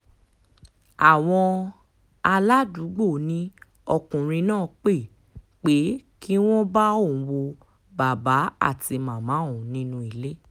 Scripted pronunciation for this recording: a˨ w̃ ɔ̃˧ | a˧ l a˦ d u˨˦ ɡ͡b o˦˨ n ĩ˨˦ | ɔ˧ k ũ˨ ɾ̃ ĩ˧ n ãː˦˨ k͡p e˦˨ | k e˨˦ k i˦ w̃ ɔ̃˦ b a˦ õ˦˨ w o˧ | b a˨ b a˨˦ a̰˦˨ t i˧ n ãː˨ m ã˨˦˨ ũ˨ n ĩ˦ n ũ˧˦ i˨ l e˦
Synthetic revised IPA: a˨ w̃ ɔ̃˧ | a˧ l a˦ d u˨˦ ɡ͡b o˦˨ n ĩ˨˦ | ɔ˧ k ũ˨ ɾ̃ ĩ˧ n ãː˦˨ k͡p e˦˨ | k͡p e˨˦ k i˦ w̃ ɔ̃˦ b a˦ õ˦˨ w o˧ | b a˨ b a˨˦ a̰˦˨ t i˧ m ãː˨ m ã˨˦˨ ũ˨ n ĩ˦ n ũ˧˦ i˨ l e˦